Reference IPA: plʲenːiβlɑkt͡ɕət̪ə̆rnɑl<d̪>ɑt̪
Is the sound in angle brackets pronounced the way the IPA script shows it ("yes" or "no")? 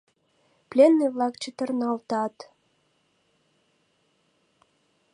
no